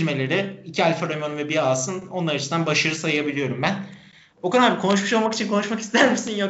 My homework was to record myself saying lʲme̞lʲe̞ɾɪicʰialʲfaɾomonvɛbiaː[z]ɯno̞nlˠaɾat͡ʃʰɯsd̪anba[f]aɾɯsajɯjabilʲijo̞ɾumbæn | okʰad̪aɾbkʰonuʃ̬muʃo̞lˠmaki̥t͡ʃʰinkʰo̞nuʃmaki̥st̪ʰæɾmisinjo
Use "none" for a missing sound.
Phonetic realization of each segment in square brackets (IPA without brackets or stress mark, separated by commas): s, ʃ